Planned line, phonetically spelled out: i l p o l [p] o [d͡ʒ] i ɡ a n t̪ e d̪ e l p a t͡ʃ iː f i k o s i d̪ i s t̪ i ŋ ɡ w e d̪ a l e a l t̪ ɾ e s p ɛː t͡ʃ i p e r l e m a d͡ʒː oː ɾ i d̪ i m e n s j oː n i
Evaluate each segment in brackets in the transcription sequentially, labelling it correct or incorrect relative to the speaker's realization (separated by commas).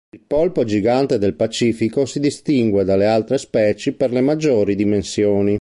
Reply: correct, correct